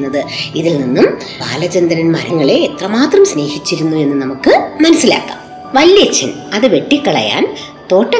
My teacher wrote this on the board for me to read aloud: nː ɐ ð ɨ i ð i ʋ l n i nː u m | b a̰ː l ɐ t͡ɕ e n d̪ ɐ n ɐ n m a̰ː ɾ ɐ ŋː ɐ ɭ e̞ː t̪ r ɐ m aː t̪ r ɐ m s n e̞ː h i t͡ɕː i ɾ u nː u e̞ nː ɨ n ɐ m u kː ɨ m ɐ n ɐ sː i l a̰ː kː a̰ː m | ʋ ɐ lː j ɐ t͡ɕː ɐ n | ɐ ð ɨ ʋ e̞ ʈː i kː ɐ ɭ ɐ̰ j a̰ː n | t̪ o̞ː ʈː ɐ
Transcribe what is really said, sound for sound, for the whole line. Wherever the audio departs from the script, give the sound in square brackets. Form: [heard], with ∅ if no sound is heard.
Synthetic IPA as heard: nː ɐ ð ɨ i ð i [∅] l n i nː u m | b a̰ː l ɐ t͡ɕ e n d̪ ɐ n ɐ n m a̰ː ɾ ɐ ŋː ɐ ɭ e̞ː t̪ r ɐ m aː t̪ r ɐ m s n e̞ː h i t͡ɕː i ɾ u nː u e̞ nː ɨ n ɐ m u kː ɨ m ɐ n ɐ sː i l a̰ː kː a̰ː m | ʋ ɐ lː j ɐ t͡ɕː ɐ n | ɐ ð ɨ ʋ e̞ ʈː i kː ɐ ɭ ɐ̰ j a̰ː n | t̪ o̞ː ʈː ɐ